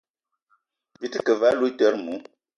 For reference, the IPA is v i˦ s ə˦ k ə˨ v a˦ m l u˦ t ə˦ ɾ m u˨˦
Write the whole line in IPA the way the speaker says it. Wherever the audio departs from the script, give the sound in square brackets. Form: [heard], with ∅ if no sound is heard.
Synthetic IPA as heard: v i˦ [t] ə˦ k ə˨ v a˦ [∅] l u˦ t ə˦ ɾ m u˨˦